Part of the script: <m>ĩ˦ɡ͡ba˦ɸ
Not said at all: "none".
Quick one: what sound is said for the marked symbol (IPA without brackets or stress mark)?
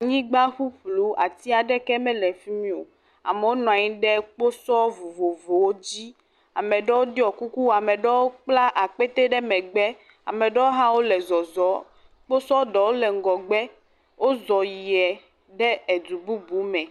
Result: ɲ